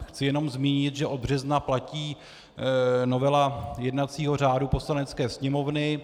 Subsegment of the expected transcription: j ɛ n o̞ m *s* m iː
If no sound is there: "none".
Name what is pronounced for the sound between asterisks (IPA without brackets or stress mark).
z